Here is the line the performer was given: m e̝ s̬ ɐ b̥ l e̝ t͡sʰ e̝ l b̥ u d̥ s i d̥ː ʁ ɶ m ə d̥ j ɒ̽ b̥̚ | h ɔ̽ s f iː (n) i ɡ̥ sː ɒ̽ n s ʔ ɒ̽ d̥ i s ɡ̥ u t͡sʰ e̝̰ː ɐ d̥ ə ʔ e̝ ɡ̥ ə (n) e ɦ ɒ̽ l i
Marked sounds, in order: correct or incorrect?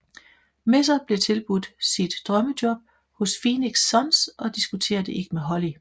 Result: correct, incorrect

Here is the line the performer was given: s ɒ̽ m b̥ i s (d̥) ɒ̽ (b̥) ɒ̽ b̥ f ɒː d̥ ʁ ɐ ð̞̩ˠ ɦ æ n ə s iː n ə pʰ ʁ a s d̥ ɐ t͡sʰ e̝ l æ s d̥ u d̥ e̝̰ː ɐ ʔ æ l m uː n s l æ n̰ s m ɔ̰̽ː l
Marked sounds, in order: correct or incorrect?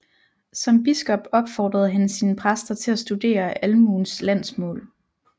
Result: incorrect, correct

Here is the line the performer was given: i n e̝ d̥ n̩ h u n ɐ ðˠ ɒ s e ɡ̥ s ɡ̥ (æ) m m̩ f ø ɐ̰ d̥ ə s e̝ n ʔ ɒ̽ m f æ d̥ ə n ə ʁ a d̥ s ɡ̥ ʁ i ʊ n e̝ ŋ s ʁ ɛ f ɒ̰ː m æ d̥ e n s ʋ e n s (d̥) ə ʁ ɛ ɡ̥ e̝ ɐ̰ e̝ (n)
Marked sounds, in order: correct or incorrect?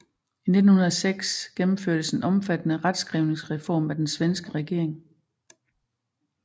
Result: incorrect, incorrect, incorrect

